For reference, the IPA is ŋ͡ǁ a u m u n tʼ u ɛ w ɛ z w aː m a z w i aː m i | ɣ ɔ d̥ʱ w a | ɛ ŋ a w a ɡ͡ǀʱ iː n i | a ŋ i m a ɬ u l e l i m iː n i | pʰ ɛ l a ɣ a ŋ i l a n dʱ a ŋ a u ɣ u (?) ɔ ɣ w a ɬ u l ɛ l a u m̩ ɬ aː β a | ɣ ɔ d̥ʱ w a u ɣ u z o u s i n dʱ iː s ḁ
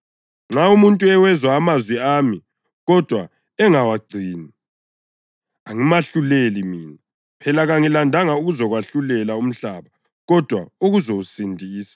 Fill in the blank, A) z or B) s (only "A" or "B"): A